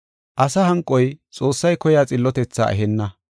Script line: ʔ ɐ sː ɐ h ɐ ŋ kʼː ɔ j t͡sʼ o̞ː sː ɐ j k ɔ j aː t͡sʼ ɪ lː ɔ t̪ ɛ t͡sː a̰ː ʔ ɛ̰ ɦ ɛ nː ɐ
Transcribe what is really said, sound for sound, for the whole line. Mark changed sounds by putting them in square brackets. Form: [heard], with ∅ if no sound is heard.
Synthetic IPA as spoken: ʔ ɐ [s] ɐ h ɐ ŋ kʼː ɔ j t͡sʼ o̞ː sː ɐ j k ɔ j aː t͡sʼ ɪ lː ɔ t̪ ɛ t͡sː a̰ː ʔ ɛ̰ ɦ ɛ nː ɐ